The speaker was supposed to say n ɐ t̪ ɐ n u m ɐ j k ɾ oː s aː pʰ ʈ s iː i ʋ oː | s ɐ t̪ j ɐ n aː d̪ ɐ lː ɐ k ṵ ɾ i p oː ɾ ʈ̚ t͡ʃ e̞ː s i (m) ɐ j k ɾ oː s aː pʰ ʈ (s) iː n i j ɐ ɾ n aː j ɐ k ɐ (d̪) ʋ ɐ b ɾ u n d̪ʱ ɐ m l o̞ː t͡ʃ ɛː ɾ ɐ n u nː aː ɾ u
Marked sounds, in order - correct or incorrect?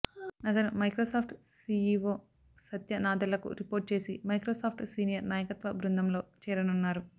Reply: correct, correct, incorrect

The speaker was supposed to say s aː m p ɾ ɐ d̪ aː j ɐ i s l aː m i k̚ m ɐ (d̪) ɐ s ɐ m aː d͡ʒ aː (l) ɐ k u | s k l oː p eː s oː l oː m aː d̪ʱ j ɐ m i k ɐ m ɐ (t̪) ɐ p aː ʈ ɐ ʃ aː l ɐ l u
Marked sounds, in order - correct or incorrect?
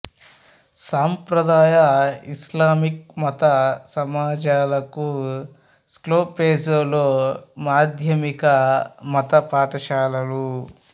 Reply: incorrect, correct, correct

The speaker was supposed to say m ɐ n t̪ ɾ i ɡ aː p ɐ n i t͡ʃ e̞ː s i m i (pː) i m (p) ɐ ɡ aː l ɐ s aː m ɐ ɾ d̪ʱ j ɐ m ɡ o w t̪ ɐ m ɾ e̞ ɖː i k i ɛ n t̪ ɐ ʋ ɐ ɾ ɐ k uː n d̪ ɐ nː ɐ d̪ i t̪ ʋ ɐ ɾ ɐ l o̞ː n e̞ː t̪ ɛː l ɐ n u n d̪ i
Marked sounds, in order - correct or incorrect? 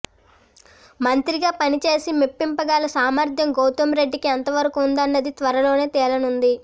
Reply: correct, correct

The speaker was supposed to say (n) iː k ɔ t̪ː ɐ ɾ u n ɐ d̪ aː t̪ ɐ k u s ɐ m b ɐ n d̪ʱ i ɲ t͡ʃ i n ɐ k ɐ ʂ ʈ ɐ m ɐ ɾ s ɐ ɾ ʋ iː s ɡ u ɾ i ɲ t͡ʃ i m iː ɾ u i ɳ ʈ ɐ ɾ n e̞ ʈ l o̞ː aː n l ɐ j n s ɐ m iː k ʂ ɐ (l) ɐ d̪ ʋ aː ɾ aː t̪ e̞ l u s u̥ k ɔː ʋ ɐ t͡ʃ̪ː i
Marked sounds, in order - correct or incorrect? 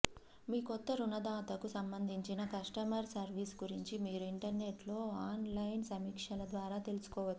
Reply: incorrect, correct

